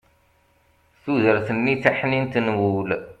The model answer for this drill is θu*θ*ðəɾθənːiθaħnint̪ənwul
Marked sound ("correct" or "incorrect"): incorrect